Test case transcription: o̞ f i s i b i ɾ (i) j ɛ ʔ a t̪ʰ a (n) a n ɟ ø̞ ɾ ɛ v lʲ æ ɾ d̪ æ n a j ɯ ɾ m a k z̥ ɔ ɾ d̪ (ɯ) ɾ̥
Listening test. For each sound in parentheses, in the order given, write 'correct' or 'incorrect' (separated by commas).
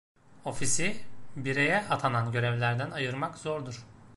incorrect, correct, incorrect